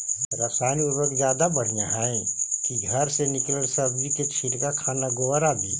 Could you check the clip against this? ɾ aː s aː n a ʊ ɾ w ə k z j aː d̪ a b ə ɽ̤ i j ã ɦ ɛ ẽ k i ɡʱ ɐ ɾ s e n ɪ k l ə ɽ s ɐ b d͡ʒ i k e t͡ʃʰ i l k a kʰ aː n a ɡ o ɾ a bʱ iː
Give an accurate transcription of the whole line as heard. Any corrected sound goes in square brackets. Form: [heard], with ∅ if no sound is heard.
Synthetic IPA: ɾ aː s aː n [i] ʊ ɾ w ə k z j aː d̪ a b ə ɽ̤ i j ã ɦ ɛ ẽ k i ɡʱ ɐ ɾ s e n ɪ k l ə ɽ s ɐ b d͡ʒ i k e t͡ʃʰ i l k a kʰ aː n a ɡ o ɾ a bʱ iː